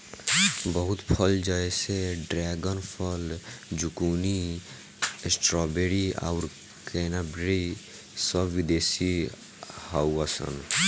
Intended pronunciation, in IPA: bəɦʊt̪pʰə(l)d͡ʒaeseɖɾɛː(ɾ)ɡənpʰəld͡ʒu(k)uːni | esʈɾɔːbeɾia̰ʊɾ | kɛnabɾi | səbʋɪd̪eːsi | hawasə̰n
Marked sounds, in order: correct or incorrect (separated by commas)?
correct, incorrect, correct